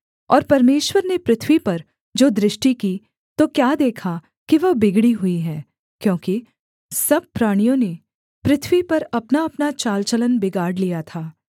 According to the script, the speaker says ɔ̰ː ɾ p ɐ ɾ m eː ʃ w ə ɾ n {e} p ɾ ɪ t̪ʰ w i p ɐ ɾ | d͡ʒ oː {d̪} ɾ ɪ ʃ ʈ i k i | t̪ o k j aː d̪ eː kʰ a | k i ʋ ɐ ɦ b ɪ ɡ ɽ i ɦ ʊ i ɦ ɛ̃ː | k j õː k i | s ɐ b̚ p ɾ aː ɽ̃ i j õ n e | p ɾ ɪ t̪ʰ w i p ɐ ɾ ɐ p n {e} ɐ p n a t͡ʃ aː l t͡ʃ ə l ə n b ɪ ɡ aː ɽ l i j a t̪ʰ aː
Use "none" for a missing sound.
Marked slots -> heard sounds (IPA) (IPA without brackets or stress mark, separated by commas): e, d̪, a